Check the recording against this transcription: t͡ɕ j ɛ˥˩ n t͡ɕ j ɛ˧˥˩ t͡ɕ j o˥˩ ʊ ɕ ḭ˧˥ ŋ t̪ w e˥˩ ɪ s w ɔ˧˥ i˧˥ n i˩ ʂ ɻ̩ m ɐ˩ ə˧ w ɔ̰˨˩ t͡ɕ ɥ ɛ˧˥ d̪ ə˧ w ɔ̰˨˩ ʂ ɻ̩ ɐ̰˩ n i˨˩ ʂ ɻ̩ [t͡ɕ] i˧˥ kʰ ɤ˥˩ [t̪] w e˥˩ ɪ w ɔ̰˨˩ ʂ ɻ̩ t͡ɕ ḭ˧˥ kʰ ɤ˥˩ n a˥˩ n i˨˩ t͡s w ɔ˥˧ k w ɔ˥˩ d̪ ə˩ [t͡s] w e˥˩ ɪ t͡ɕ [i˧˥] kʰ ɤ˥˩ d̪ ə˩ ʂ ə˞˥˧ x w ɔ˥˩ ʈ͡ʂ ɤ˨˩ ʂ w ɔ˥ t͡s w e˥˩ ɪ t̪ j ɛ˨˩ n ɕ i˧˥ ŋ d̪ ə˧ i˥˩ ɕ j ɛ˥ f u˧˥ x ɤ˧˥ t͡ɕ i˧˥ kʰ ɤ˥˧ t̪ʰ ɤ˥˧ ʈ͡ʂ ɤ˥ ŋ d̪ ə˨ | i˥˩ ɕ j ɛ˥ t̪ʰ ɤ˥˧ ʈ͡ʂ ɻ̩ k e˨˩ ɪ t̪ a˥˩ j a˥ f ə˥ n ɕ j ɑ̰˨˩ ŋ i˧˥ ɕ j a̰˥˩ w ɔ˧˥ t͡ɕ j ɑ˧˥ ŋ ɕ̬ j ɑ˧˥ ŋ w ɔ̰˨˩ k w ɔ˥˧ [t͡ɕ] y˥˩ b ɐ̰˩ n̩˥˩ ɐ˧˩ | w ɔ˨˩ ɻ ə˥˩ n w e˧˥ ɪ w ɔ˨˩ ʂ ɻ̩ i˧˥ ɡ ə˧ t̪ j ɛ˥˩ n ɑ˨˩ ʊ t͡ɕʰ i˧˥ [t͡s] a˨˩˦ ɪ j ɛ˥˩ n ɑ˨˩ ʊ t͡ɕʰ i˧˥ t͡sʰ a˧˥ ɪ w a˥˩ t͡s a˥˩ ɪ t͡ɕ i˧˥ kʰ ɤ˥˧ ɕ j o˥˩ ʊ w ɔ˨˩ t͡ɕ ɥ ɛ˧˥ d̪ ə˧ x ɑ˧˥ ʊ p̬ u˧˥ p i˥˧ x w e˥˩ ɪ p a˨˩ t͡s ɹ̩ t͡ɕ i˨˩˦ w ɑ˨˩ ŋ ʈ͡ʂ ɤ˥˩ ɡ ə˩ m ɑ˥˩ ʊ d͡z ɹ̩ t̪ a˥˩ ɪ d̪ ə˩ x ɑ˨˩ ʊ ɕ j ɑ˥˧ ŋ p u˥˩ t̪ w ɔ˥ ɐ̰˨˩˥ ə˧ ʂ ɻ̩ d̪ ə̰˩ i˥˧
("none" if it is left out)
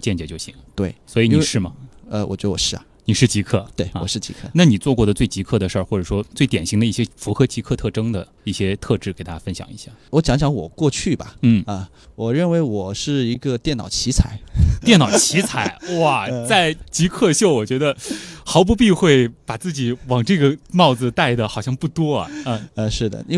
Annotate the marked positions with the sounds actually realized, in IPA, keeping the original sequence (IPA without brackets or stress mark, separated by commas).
t͡ɕ, t̪, t͡s, i˧˥, t͡ɕʰ, t͡sʰ